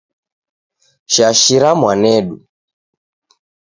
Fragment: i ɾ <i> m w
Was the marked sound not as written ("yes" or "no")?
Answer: yes